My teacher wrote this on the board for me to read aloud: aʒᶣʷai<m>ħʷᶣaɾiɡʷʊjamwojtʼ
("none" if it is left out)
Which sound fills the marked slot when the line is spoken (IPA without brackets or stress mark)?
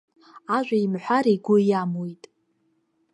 m